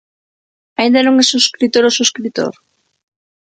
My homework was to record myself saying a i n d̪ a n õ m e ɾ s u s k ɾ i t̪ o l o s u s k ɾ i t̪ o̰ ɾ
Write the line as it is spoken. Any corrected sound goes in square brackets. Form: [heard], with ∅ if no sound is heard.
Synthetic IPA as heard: a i n d̪ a n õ [ŋ] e [∅] s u s k ɾ i t̪ o [ɾ] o s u s k ɾ i t̪ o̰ ɾ

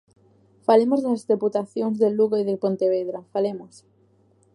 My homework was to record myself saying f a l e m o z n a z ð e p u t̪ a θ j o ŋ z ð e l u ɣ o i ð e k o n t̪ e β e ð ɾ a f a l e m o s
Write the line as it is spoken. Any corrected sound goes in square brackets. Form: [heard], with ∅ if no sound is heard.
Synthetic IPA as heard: f a l e m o z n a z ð e p u t̪ a θ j o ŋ z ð e l u ɣ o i ð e [p] o n t̪ e β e ð ɾ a f a l e m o s

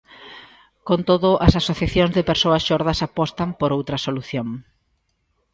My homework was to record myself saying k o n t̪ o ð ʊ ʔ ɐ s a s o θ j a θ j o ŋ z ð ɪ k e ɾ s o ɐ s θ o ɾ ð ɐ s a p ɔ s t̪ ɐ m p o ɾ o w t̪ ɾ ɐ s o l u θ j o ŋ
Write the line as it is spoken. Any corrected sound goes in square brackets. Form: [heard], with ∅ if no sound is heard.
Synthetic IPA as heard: k o n t̪ o ð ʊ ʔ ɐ s a s o θ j a θ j o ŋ z ð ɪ [p] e ɾ s o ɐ s [ʃ] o ɾ ð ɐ s a p ɔ s t̪ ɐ m p o ɾ o w t̪ ɾ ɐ s o l u θ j o ŋ

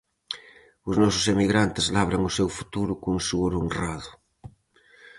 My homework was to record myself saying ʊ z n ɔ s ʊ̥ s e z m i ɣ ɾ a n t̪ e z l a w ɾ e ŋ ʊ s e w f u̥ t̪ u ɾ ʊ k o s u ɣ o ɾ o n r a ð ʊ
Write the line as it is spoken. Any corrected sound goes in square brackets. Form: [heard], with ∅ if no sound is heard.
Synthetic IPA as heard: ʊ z n ɔ s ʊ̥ s e [∅] m i ɣ ɾ a n t̪ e z l a [β] ɾ [a] ŋ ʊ s e w f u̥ t̪ u ɾ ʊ k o s u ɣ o ɾ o n r a ð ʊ

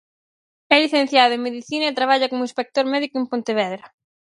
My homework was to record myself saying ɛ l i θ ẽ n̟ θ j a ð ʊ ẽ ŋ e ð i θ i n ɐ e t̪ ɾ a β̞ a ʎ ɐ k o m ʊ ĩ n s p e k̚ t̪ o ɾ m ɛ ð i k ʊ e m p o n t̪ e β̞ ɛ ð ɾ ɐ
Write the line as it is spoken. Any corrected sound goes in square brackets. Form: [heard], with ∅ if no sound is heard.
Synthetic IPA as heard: ɛ l i θ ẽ n̟ θ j a ð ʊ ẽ [m] e ð i θ i n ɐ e t̪ ɾ a β̞ a ʎ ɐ k o m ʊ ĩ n s p e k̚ t̪ o ɾ m ɛ ð i k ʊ e m p o n t̪ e β̞ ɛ ð ɾ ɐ

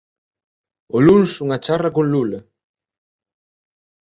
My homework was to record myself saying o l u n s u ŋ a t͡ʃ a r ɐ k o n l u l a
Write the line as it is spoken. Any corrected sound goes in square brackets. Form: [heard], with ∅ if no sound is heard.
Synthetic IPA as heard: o l u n s u ŋ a t͡ʃ a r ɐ k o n l u l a

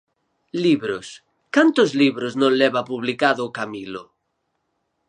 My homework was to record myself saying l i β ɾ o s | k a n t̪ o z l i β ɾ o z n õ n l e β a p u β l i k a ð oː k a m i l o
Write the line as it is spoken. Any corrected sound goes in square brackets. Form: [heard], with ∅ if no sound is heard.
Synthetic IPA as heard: l i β ɾ o s | k a n t̪ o z l i β ɾ o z n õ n l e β a p u β l i k a ð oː k a m i l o

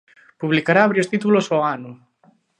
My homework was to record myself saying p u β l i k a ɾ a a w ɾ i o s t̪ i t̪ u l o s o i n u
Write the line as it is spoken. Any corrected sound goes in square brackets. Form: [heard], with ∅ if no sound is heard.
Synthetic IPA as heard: p u β l i k a ɾ a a [β] ɾ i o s t̪ i t̪ u l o s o [a] n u

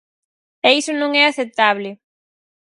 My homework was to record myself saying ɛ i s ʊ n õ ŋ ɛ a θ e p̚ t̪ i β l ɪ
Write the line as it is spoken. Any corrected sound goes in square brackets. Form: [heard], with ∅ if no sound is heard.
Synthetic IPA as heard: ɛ i s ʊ n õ ŋ ɛ a θ e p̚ t̪ [a] β l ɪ

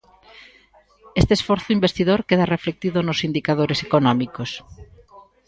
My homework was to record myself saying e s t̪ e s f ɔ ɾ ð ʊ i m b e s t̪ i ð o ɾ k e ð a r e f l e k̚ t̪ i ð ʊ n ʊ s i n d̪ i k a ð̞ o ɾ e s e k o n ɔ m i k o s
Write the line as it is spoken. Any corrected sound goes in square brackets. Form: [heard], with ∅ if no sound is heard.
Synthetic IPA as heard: e s t̪ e s f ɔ ɾ [θ] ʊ i m b e s t̪ i ð o ɾ k e ð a r e f l e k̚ t̪ i ð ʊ n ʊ s i n d̪ i k a ð̞ o ɾ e s e k o n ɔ m i k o s

